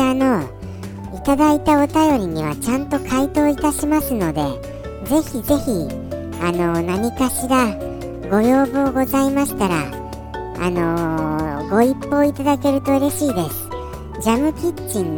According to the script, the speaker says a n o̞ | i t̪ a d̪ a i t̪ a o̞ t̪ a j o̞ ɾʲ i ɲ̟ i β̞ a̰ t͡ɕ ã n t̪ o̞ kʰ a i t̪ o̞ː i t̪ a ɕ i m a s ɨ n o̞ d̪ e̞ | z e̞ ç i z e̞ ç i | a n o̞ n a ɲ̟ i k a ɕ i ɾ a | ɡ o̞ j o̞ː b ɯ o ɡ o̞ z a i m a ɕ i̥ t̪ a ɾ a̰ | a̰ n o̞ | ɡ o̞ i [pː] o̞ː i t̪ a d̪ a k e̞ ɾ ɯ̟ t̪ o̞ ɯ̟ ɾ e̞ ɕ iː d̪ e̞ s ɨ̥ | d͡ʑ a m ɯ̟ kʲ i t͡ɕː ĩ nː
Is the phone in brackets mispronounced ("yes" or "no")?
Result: no